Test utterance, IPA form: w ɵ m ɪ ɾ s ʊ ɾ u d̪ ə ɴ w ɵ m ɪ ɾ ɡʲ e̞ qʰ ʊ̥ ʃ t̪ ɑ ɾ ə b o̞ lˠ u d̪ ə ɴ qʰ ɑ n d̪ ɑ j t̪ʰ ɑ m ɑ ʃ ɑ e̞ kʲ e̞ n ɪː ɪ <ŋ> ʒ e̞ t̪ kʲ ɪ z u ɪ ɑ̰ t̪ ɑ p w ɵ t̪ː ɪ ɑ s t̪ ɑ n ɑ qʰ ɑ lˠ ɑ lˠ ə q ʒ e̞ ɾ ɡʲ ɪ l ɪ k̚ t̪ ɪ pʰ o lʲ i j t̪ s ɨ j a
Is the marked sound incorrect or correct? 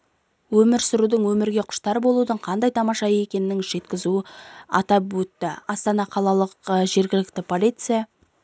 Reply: correct